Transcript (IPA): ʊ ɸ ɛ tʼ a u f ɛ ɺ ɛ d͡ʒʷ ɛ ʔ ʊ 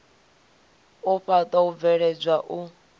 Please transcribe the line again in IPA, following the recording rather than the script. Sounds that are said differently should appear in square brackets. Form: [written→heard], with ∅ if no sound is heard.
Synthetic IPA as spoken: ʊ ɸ [ɛ→a] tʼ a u [f→v] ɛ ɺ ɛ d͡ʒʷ [ɛ→a] ʔ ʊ